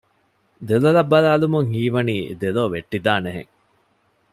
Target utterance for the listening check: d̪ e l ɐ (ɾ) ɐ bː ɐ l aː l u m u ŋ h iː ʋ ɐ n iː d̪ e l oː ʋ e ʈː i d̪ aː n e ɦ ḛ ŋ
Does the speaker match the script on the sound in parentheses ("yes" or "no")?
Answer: no